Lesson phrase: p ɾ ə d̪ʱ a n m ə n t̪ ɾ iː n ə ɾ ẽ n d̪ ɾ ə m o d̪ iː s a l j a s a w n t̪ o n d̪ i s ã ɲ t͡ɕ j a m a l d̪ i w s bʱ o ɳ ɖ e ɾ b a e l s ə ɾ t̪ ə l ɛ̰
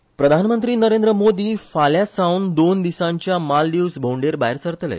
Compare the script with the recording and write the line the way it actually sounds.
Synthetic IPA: p ɾ ə d̪ʱ a n m ə n t̪ ɾ iː n ə ɾ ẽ n d̪ ɾ ə m o d̪ iː f a l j a s a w n d̪ o n d̪ i s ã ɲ t͡ɕ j a m a l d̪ i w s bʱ o ɳ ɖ e ɾ b a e ɾ s ə ɾ t̪ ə l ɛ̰